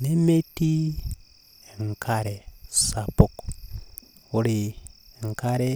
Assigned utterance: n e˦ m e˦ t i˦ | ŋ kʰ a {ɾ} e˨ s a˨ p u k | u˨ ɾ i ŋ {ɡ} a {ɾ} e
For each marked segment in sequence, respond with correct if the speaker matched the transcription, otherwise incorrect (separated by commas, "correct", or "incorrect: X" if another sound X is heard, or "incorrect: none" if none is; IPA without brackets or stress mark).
correct, incorrect: k, correct